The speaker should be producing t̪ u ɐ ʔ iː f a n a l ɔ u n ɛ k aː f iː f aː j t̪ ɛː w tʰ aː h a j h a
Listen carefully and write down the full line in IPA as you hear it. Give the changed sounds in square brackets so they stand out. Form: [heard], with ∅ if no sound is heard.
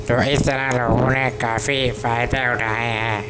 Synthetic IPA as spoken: t̪ u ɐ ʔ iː [s] a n a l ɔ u n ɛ k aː f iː f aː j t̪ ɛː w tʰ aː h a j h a